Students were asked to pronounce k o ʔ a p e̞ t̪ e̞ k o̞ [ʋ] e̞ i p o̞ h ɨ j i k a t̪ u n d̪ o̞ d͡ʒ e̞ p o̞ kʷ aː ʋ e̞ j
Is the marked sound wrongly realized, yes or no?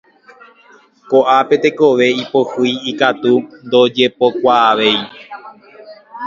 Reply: no